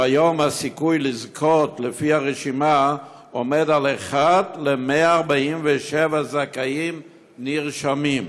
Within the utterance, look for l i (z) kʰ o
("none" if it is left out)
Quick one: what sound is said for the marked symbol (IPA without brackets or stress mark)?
z